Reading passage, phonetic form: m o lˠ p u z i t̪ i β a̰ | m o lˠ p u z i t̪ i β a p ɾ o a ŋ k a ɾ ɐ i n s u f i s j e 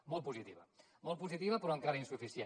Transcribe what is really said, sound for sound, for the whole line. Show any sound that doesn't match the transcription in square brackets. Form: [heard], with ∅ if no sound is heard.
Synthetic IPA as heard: m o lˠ p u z i t̪ i β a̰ | m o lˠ p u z i t̪ i β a p ɾ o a ŋ k a ɾ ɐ i n s u f i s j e